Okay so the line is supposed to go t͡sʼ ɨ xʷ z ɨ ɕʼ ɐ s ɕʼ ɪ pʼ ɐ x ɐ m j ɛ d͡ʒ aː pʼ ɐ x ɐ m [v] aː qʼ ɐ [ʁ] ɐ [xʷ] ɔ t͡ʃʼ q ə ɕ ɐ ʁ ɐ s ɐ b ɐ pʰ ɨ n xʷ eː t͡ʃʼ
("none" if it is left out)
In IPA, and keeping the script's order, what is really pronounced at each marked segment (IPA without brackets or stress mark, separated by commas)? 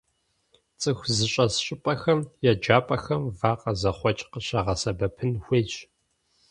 v, z, χʷ